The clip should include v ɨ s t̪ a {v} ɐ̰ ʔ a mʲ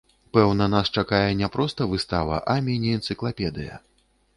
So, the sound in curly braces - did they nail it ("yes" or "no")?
yes